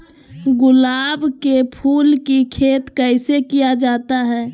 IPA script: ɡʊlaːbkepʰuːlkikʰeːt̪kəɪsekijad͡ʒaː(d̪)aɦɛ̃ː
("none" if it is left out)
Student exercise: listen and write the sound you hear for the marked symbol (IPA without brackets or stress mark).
t̪